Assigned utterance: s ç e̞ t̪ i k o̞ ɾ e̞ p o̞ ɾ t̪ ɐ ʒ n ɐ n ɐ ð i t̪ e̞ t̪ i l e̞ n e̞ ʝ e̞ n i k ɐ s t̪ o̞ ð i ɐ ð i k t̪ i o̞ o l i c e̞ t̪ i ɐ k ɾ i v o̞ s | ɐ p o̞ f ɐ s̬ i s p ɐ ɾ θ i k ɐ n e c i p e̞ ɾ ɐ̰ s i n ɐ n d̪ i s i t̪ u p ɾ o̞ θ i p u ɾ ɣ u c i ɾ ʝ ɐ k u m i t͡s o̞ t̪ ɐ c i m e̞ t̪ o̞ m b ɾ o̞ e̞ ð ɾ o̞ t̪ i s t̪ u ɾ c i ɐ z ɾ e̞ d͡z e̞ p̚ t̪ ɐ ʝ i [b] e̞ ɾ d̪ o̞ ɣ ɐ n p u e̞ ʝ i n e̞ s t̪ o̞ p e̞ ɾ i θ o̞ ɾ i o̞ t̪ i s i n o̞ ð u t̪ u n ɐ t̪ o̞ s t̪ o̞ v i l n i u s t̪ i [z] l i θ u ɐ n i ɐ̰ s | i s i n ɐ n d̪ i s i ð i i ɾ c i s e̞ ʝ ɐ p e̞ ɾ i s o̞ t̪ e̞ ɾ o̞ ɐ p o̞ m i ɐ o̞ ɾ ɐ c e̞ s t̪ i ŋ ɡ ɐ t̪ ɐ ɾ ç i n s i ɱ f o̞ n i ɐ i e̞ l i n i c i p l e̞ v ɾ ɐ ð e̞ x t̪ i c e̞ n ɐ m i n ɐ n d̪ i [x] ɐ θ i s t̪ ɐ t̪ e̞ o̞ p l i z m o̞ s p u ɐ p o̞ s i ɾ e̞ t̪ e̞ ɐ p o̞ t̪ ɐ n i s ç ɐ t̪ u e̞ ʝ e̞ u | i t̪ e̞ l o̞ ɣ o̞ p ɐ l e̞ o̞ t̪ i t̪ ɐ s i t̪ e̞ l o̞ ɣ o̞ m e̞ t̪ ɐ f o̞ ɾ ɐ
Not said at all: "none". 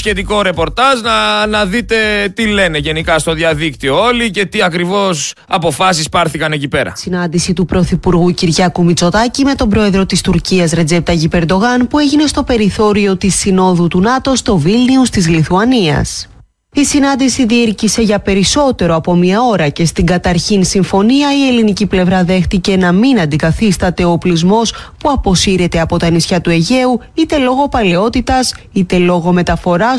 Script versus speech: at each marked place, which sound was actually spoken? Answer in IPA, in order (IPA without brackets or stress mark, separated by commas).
p, z, k